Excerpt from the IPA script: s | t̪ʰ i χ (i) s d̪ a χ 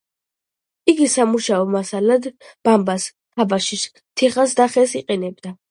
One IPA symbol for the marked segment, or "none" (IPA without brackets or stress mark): a